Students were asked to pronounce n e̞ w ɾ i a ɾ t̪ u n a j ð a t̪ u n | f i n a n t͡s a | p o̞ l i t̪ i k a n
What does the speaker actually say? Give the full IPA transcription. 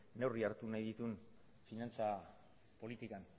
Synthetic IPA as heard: n e̞ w r i a ɾ t̪ u n a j ð i t̪ u n | f i n a n t͡s a | p o̞ l i t̪ i k a n